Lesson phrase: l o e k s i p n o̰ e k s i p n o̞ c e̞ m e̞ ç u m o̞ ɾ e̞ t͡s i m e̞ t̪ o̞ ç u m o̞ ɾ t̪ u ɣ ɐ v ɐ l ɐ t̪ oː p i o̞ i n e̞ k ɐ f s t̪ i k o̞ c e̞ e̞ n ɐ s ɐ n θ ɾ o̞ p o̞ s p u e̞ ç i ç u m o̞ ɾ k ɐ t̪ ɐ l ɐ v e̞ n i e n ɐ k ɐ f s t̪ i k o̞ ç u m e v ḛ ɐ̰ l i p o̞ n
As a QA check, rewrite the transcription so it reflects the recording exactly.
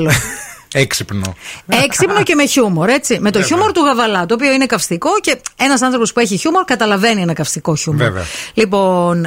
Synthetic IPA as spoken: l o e k s i p n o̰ e k s i p n o̞ c e̞ m e̞ ç u m o̞ ɾ e̞ t͡s i m e̞ t̪ o̞ ç u m o̞ ɾ t̪ u ɣ ɐ v ɐ l ɐ t̪ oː p i o̞ i n e̞ k ɐ f s t̪ i k o̞ c e̞ e̞ n ɐ s ɐ n θ ɾ o̞ p o̞ s p u e̞ ç i ç u m o̞ ɾ k ɐ t̪ ɐ l ɐ v e̞ n i e n ɐ k ɐ f s t̪ i k o̞ ç u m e v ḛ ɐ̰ l i p o̞ n